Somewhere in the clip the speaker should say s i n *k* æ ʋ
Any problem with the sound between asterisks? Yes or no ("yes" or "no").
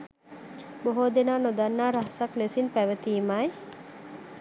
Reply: yes